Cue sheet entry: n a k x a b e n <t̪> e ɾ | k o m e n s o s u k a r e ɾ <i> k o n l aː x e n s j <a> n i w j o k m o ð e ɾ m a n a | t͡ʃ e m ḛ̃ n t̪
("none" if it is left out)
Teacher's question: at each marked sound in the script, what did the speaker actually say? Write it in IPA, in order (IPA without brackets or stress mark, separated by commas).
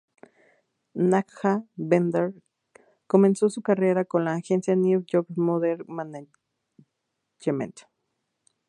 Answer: d̪, a, a